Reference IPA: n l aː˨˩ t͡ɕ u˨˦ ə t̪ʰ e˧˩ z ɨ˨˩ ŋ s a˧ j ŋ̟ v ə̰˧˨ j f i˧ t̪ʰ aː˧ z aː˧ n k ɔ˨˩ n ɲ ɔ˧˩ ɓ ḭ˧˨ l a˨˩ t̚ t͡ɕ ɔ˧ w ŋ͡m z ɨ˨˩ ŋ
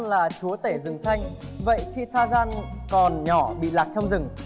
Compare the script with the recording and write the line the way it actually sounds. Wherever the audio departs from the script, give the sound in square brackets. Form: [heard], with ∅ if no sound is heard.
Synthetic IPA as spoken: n l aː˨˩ t͡ɕ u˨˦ ə [t̪] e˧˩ z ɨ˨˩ ŋ s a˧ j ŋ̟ v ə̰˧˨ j [x] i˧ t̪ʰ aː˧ z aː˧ n k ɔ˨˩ n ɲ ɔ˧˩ ɓ ḭ˧˨ l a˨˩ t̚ t͡ɕ ɔ˧ w ŋ͡m z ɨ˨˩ ŋ